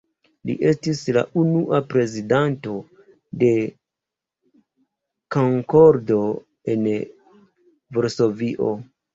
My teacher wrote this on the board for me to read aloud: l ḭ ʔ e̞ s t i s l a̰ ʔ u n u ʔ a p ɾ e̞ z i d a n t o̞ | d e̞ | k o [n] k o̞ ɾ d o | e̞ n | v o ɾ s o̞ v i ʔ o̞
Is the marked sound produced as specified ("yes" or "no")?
no